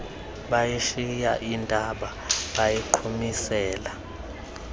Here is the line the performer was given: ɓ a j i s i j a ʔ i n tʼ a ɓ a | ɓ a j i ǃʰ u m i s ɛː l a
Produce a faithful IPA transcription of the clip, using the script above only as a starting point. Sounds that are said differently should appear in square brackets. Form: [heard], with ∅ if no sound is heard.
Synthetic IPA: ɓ a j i [ʃ] i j a ʔ i n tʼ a ɓ a | ɓ a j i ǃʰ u m i s ɛː l a